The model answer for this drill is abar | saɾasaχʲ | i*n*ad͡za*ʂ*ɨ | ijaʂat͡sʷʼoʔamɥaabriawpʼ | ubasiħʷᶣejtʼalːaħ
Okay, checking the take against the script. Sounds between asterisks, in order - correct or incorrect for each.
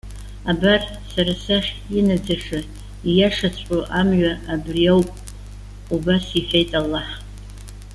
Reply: correct, correct

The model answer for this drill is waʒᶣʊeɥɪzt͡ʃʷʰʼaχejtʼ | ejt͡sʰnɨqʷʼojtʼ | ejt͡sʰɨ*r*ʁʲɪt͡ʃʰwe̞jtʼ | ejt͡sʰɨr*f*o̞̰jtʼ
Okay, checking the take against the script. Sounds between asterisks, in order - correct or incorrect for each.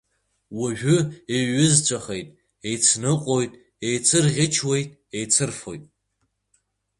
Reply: correct, correct

